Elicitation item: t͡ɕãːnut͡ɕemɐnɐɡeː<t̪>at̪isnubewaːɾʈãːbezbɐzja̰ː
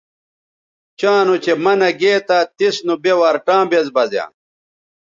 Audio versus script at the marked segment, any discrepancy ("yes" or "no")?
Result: no